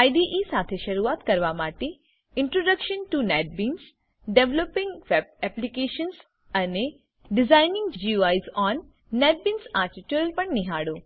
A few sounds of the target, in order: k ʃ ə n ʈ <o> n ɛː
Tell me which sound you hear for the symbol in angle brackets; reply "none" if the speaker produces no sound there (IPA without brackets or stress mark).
u